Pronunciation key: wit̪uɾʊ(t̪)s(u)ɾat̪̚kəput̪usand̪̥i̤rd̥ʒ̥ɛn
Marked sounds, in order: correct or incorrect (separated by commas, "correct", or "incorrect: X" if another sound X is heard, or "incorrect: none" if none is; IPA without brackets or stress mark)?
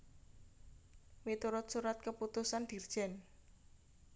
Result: correct, correct